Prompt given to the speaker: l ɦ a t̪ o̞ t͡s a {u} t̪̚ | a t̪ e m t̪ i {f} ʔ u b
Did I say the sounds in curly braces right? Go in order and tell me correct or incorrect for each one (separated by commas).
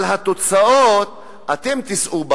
incorrect, incorrect